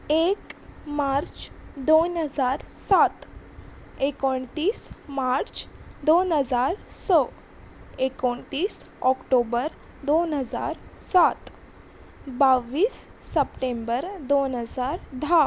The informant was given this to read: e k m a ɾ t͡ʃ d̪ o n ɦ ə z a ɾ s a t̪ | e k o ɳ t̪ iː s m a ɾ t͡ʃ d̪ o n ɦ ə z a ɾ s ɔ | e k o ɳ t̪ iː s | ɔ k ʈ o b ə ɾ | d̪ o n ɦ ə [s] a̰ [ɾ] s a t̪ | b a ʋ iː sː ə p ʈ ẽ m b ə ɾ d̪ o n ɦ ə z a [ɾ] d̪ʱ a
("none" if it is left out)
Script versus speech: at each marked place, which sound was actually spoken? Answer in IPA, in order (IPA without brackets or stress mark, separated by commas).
z, ɾ, ɾ